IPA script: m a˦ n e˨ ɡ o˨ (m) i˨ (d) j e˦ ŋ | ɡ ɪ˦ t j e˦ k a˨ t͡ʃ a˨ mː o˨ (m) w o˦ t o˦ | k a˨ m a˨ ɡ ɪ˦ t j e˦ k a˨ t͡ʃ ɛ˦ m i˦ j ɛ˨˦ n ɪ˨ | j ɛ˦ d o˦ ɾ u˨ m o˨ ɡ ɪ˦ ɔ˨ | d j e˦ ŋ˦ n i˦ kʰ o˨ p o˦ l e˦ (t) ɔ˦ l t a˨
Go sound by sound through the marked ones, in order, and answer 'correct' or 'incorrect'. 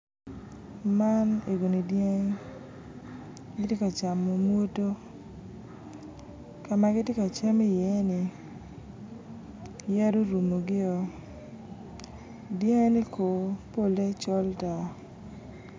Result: incorrect, correct, correct, incorrect

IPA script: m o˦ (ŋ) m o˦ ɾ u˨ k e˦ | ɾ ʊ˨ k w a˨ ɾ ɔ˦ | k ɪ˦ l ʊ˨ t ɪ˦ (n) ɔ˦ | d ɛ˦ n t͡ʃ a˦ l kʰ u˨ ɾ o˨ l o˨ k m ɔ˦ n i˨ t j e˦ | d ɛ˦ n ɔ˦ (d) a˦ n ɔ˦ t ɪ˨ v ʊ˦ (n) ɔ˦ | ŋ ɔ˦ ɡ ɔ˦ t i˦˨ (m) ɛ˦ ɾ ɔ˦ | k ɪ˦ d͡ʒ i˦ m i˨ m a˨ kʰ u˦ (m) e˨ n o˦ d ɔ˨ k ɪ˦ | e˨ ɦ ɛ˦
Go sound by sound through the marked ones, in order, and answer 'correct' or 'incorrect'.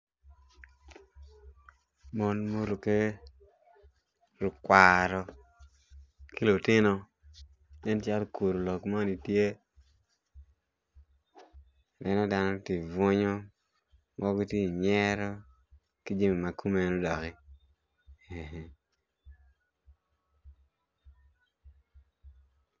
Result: incorrect, correct, correct, incorrect, incorrect, correct

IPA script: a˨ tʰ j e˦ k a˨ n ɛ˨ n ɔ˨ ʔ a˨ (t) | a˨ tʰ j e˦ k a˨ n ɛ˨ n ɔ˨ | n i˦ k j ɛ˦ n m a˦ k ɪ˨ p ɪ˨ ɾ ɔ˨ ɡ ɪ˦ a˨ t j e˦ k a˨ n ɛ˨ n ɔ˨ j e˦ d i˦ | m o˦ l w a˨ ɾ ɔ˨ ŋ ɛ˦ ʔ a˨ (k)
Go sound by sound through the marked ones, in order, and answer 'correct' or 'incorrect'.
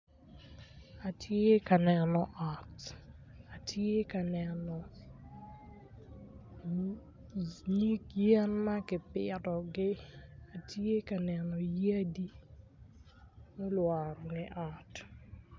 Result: correct, incorrect

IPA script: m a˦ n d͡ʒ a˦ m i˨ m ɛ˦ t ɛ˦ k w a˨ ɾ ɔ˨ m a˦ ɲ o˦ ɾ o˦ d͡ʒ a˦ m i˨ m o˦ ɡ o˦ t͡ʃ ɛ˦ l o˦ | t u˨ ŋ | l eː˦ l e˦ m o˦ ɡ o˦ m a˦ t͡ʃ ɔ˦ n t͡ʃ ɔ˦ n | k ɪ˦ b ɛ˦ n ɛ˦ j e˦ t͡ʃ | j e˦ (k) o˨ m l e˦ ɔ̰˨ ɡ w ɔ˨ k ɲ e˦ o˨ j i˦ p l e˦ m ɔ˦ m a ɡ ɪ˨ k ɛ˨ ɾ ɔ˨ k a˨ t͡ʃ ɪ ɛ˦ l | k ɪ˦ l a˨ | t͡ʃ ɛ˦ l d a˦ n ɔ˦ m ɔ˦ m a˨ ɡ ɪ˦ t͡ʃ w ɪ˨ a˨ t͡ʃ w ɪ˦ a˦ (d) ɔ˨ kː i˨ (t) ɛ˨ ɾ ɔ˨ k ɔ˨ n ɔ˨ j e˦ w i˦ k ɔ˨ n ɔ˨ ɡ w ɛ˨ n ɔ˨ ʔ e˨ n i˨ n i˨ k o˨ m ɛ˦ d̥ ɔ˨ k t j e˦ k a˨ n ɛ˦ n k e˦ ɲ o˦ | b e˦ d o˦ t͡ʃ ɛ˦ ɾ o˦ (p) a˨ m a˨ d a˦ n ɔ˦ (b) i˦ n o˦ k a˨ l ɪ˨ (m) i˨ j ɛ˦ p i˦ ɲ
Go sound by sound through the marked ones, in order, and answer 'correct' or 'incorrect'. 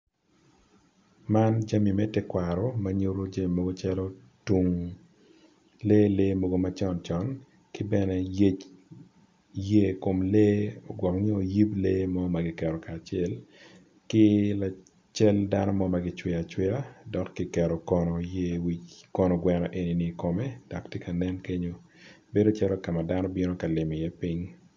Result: correct, correct, incorrect, incorrect, correct, correct

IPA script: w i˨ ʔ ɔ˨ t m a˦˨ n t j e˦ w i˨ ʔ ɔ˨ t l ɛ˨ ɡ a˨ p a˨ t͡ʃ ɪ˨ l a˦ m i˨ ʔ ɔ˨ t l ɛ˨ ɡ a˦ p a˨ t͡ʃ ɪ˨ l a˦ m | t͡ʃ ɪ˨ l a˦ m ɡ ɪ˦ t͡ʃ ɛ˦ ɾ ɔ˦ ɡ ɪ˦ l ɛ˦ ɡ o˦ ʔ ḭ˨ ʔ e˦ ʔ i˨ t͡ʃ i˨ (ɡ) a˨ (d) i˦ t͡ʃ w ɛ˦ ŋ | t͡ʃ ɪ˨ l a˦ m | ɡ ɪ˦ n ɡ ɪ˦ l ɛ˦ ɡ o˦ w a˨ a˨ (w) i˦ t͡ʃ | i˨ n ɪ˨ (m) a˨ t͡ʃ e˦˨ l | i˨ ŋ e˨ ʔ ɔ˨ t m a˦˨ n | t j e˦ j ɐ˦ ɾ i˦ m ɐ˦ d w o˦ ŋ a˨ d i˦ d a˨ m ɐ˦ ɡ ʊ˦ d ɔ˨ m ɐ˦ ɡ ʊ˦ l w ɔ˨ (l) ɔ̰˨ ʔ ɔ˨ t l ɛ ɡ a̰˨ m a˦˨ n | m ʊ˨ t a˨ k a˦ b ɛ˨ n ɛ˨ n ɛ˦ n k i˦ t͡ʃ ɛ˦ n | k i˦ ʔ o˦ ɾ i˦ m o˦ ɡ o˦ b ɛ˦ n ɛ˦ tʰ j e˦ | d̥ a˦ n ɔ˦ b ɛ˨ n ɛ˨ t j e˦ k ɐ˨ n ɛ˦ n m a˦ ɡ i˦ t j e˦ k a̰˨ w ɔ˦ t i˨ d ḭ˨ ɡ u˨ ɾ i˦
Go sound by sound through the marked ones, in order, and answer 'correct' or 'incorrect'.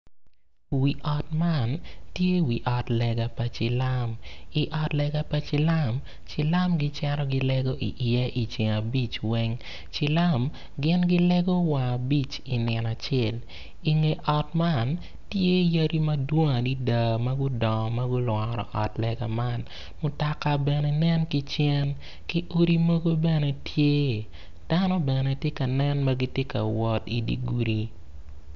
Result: incorrect, incorrect, incorrect, incorrect, incorrect

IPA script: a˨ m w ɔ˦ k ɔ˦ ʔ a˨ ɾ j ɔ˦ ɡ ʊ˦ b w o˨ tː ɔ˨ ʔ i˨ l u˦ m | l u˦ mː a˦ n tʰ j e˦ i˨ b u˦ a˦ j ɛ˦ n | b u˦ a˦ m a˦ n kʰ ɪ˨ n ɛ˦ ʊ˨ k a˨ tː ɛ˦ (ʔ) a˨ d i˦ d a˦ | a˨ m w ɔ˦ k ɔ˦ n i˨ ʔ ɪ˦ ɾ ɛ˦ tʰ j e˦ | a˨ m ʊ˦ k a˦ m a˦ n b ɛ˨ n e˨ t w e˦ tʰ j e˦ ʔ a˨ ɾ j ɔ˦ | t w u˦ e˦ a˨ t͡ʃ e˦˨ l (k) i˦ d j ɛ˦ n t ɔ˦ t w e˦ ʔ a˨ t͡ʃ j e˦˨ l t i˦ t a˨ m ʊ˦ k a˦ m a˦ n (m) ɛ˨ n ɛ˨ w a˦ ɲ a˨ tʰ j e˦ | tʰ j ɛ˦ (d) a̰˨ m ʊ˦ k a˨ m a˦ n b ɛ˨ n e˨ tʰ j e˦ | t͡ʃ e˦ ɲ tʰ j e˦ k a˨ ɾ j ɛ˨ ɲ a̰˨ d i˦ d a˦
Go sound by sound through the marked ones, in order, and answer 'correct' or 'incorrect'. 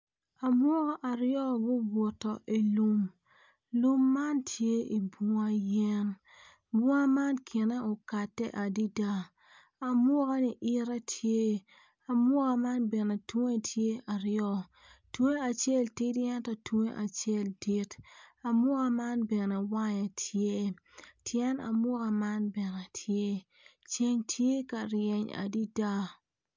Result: correct, incorrect, incorrect, incorrect

